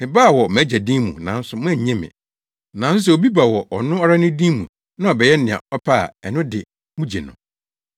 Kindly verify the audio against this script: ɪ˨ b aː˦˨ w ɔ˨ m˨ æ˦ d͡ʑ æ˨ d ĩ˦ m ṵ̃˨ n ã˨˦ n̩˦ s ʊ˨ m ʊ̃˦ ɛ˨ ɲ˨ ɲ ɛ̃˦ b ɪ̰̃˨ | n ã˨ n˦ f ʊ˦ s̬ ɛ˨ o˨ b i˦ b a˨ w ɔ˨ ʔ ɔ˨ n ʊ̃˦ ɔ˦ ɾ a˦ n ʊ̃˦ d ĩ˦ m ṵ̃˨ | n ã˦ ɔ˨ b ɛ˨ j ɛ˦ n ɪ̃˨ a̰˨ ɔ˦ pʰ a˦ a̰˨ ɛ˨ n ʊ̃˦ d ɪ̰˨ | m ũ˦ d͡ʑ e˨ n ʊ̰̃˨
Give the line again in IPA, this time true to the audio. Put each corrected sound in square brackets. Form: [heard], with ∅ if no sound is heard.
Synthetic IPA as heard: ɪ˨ b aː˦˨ w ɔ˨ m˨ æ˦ d͡ʑ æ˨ d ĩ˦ m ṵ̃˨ n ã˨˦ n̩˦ s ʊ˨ m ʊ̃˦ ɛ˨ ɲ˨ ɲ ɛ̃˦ [m] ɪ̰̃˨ | n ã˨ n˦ [s] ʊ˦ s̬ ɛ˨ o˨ b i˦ b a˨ w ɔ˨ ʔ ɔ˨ n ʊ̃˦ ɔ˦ ɾ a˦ n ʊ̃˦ d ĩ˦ m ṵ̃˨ | n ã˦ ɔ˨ b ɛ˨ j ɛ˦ n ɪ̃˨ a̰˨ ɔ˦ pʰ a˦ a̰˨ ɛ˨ n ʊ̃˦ d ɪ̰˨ | m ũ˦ d͡ʑ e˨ n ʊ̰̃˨